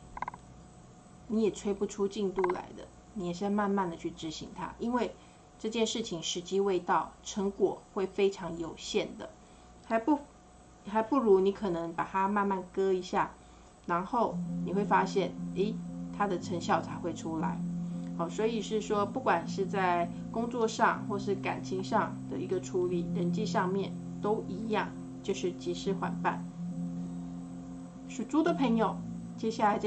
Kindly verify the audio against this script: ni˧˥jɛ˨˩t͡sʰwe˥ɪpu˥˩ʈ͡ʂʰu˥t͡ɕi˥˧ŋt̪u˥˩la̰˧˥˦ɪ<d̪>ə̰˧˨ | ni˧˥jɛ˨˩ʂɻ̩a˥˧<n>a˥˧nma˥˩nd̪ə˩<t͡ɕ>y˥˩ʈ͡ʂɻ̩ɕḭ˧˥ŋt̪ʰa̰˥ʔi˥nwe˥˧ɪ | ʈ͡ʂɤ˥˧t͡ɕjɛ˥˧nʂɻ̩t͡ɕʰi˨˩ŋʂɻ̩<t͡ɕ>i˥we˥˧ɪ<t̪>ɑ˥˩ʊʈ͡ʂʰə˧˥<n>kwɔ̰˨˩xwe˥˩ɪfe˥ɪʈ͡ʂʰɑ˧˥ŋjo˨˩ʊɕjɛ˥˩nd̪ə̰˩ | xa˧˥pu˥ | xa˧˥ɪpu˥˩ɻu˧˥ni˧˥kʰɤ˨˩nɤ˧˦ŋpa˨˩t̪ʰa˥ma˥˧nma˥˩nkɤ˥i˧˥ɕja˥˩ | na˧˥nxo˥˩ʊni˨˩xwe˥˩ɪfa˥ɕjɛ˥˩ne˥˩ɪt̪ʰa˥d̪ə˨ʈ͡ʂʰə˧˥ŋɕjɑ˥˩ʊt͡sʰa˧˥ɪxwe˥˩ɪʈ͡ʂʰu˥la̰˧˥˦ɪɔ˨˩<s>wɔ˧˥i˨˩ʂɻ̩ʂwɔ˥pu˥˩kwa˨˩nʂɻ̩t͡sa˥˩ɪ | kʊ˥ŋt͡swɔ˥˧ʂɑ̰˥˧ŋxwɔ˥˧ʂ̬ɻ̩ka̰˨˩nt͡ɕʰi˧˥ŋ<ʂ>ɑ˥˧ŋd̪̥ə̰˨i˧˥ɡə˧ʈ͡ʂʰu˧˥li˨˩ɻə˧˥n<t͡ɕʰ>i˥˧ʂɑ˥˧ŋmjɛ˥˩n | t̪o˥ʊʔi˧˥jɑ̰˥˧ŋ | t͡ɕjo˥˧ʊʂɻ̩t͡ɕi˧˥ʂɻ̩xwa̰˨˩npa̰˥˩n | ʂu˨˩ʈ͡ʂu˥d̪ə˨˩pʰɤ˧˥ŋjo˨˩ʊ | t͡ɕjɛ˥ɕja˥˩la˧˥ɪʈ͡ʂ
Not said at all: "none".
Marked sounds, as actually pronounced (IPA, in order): d̪, m, t͡ɕʰ, t͡ɕ, t̪, ŋ, s, ʂ, t͡ɕ

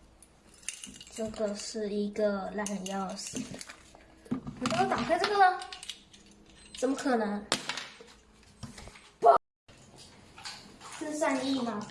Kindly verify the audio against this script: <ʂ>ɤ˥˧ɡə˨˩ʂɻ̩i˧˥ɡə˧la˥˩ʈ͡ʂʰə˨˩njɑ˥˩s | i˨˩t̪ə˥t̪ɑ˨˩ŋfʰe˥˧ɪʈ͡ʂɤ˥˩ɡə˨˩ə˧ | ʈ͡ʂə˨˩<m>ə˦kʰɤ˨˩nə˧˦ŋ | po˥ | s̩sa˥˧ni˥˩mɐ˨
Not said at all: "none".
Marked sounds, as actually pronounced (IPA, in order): ʈ͡ʂ, m

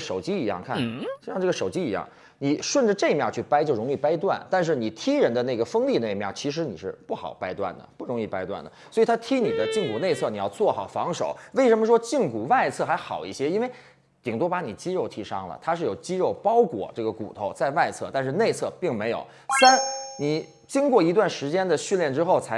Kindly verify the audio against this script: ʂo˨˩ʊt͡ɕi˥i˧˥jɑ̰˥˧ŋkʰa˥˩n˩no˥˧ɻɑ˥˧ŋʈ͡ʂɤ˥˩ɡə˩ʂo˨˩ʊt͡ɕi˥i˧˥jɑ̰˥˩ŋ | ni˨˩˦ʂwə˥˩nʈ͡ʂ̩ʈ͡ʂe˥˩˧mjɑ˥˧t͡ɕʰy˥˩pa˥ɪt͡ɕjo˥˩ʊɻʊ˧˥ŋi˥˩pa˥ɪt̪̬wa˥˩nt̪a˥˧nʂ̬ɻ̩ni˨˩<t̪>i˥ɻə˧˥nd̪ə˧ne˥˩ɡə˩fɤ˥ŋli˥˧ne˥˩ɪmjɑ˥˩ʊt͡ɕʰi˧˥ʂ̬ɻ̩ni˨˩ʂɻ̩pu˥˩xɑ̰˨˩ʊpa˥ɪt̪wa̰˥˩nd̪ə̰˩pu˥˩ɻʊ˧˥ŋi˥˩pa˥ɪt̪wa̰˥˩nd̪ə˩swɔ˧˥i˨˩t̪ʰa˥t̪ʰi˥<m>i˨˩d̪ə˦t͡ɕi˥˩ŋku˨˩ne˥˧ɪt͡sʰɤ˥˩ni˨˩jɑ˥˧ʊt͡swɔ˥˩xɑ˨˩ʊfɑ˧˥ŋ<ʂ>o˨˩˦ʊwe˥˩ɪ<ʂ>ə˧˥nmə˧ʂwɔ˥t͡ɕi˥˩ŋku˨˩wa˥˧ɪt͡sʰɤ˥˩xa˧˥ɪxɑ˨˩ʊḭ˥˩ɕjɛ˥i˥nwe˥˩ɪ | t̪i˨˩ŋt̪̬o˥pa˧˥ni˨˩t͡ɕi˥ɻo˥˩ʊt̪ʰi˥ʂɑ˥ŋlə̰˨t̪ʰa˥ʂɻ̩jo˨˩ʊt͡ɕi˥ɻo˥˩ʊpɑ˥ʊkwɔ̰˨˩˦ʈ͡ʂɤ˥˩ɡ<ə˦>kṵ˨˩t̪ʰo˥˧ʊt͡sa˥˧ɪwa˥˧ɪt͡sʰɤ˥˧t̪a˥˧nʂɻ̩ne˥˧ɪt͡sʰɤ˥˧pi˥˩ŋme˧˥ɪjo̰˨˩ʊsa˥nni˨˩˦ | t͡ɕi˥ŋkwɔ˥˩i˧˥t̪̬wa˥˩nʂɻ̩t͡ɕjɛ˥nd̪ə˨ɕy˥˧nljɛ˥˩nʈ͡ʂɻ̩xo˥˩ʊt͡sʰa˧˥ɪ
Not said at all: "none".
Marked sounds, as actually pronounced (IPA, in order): t̪ʰ, n, ʂ, ʂ, ə˩

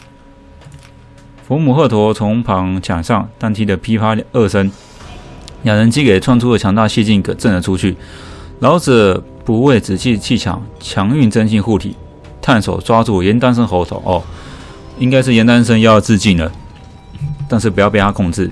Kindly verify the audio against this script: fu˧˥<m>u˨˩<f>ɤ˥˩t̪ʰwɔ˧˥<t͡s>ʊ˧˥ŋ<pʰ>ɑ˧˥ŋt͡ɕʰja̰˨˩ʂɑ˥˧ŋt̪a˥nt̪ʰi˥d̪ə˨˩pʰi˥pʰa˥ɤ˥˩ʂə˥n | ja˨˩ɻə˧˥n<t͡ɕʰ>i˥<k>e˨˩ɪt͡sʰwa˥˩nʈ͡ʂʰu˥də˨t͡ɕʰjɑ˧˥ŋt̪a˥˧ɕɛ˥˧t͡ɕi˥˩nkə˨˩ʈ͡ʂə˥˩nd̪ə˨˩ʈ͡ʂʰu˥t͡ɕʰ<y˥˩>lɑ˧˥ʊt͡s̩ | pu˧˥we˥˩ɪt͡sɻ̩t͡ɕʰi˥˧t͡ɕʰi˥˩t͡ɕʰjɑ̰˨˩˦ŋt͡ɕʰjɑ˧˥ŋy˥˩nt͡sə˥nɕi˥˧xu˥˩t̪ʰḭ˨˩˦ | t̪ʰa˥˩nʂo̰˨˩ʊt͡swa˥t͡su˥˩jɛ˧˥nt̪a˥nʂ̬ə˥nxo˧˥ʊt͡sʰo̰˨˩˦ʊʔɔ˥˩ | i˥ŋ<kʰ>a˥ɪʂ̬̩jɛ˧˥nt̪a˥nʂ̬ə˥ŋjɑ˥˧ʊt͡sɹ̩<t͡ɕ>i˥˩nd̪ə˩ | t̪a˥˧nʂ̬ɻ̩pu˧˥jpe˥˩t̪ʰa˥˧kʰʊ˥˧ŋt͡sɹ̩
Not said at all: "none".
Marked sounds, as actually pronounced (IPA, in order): m, x, t͡sʰ, pʰ, t͡ɕ, k, y˥˩, k, t͡ɕ

